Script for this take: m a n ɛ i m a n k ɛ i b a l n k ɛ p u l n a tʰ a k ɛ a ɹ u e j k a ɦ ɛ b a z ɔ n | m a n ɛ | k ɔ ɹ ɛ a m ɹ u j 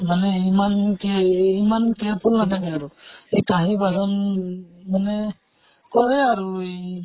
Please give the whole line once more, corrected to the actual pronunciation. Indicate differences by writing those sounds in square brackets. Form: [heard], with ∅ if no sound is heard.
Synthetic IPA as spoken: m a n ɛ i m a n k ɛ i [m] a [∅] n k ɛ p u l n a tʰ a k ɛ a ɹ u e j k a ɦ [i] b a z ɔ n | m a n ɛ | k ɔ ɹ ɛ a [∅] ɹ u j

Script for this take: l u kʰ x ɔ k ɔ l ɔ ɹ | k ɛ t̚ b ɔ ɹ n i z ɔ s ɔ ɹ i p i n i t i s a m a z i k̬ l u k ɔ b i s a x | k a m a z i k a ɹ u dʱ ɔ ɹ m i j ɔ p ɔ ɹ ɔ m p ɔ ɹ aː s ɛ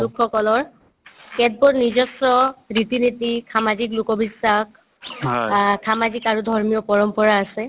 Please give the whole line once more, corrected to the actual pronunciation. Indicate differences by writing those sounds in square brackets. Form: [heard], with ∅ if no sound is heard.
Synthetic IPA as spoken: l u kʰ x ɔ k ɔ l ɔ ɹ | k ɛ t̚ b ɔ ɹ n i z ɔ s ɔ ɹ i [t] i n i t i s a m a z i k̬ l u k ɔ b i s a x | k a m a z i k a ɹ u dʱ ɔ ɹ m i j ɔ p ɔ ɹ ɔ m p ɔ ɹ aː s ɛ

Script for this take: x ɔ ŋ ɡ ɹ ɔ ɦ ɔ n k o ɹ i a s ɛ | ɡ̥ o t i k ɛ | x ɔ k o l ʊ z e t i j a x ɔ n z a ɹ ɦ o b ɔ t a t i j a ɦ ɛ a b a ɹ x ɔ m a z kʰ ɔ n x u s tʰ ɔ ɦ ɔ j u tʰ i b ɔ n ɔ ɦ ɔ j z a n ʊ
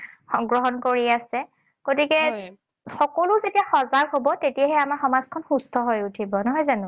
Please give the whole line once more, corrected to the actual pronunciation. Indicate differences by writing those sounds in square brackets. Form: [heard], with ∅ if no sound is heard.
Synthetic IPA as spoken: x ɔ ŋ ɡ ɹ ɔ ɦ ɔ n k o ɹ i a s ɛ | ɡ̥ o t i k ɛ | x ɔ k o l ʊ z e t i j a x ɔ [∅] z a ɹ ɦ o b ɔ t [e] t i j a ɦ ɛ a [m] a ɹ x ɔ m a z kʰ ɔ n x u s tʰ ɔ ɦ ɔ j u tʰ i b ɔ n ɔ ɦ ɔ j z a n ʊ

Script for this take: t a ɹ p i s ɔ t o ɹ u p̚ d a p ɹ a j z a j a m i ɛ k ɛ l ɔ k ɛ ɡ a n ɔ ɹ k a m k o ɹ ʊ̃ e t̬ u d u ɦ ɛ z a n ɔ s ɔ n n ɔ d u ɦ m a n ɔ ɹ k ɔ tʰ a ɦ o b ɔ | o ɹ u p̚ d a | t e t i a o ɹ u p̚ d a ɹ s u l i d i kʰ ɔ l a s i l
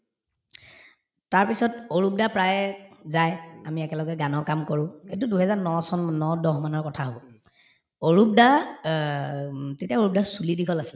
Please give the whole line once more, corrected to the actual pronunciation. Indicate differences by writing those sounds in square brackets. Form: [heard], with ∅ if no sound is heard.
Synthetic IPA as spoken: t a ɹ p i s ɔ t o ɹ u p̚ d a p ɹ a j z a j a m i ɛ k ɛ l ɔ [ɡ] ɛ ɡ a n ɔ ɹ k a m k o ɹ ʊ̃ e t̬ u d u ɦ ɛ z a n ɔ s ɔ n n ɔ d [ɔ] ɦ m a n ɔ ɹ k ɔ tʰ a ɦ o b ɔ | o ɹ u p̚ d a | t e t i a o ɹ u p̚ d a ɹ s u l i d i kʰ ɔ l a s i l

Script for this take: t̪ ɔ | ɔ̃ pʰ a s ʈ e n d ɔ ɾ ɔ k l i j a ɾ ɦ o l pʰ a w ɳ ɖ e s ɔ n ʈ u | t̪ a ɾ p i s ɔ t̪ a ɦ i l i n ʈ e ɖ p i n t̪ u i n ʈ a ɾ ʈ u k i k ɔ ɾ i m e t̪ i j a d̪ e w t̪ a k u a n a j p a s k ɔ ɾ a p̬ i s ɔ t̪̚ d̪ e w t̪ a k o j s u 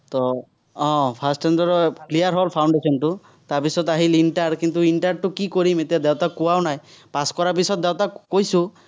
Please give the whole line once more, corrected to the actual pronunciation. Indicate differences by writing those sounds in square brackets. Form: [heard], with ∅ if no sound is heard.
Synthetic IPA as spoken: t̪ ɔ | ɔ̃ pʰ a s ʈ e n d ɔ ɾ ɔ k l i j a ɾ ɦ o l pʰ a w ɳ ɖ e s ɔ n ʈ u | t̪ a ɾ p i s ɔ t̪ a ɦ i l i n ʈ [a] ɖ [k] i n t̪ u i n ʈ a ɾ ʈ u k i k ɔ ɾ i m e t̪ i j a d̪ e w t̪ a k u a n a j p a s k ɔ ɾ a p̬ i s ɔ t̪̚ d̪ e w t̪ a k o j s u

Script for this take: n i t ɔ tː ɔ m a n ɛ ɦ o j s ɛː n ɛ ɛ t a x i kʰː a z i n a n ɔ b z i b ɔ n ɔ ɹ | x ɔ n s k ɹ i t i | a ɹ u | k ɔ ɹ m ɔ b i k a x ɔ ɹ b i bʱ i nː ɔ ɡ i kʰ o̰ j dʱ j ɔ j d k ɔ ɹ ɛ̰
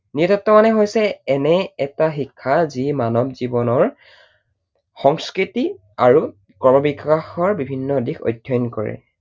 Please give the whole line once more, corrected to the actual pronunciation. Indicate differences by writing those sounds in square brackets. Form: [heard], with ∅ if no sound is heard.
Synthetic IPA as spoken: n i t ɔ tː ɔ m a n ɛ ɦ o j s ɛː n ɛ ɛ t a x i kʰː a z i [m] a n ɔ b z i b ɔ n ɔ ɹ | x ɔ [ŋ] s k ɹ i t i | a ɹ u | k ɔ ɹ m ɔ b i k a x ɔ ɹ b i bʱ i nː ɔ [d] i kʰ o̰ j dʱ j ɔ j [n] k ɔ ɹ ɛ̰

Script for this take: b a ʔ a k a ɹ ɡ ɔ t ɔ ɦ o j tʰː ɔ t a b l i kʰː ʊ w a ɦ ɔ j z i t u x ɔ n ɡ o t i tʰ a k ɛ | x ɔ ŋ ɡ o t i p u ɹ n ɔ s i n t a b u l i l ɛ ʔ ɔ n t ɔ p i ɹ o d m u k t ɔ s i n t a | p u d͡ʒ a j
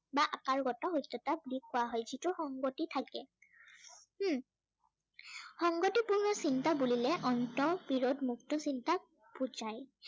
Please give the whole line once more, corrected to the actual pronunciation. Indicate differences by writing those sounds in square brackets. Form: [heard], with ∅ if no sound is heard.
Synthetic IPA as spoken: b a ʔ a k a ɹ ɡ ɔ t ɔ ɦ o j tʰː ɔ t a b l i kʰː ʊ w a ɦ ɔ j z i t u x ɔ [ŋ] ɡ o t i tʰ a k ɛ | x ɔ ŋ ɡ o t i p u ɹ n ɔ s i n t a b u l i l ɛ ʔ ɔ n t ɔ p i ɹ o d m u k t ɔ s i n t a | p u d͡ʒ a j

